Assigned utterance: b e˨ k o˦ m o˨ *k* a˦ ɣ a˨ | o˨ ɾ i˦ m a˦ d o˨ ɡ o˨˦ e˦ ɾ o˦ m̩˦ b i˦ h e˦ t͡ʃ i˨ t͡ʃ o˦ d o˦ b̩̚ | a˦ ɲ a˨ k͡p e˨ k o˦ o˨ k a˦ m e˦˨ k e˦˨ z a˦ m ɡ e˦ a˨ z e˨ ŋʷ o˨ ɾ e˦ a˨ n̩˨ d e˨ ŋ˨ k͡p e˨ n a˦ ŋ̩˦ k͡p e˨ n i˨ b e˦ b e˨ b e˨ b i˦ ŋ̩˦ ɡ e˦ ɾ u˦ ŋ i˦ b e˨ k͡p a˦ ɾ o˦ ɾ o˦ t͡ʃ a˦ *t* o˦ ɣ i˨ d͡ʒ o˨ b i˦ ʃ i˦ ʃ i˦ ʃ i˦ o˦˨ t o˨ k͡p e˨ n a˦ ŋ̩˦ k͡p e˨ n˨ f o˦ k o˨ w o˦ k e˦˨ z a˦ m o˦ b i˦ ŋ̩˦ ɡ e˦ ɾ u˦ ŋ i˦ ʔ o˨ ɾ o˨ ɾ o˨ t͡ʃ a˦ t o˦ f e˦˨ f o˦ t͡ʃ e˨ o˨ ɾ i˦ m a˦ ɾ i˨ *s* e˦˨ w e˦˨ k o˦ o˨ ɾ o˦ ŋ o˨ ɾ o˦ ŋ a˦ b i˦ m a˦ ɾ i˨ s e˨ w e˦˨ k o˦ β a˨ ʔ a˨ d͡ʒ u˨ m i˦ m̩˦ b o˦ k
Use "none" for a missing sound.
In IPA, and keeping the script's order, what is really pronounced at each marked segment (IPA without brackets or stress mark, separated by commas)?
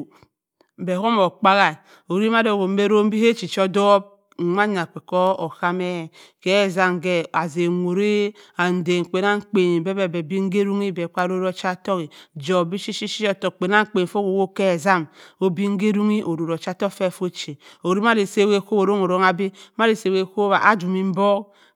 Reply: k͡p, t, s